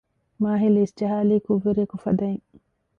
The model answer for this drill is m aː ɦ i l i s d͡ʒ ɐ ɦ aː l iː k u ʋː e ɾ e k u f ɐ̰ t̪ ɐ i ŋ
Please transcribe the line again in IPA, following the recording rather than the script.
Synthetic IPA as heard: m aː ɦ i l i s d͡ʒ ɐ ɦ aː l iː k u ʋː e ɾ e k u f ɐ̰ d̪ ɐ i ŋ